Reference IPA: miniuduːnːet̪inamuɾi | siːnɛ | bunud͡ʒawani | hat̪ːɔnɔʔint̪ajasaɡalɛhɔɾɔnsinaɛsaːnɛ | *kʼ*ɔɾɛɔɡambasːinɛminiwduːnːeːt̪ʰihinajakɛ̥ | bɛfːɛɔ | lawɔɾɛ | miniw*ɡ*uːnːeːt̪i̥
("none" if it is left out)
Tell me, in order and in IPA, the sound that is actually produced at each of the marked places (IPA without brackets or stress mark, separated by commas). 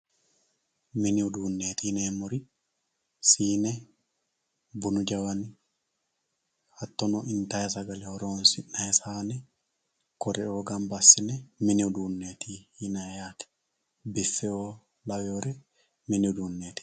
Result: k, d